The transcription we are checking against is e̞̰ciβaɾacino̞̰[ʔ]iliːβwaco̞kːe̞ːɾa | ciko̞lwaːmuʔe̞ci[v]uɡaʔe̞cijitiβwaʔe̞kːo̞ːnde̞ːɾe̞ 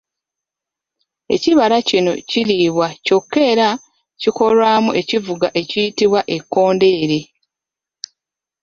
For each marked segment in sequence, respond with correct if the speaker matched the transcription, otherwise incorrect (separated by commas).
incorrect, correct